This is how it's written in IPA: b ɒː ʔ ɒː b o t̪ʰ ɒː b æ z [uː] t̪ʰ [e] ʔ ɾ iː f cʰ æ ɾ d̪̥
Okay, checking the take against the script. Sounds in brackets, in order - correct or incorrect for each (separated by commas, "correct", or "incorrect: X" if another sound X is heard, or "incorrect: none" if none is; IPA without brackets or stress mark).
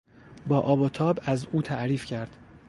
correct, incorrect: æ